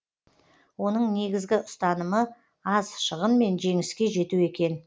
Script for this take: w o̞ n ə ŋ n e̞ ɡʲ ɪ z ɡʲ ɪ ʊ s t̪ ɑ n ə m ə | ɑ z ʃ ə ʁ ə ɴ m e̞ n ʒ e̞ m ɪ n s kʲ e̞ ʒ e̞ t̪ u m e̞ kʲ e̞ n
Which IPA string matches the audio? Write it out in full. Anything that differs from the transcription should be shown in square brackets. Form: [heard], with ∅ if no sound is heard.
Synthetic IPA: w o̞ n ə [ɴ] n e̞ ɡʲ ɪ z ɡʲ ɪ ʊ s t̪ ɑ n ə m ə | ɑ z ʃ ə ʁ ə [n] m e̞ n ʒ e̞ [ŋ] ɪ [∅] s kʲ e̞ ʒ e̞ t̪ u [∅] e̞ kʲ e̞ n